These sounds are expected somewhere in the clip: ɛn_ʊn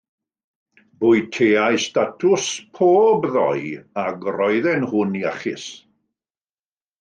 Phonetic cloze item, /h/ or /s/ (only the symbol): h